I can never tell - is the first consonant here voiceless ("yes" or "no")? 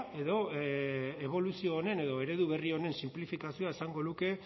no